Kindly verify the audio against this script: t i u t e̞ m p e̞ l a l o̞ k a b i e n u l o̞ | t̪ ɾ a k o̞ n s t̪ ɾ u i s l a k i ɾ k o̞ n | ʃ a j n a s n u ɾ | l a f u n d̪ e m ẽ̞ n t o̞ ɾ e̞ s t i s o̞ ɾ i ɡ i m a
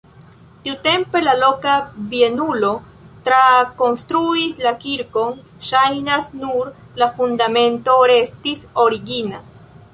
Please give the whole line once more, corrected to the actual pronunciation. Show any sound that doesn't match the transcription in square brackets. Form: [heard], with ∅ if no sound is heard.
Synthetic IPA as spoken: t i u t e̞ m p e̞ l a l o̞ k a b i e n u l o̞ | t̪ ɾ a k o̞ n s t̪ ɾ u i s l a k i ɾ k o̞ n | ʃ a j n a s n u ɾ | l a f u n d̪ [a] m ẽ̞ n t o̞ ɾ e̞ s t i s o̞ ɾ i ɡ i [n] a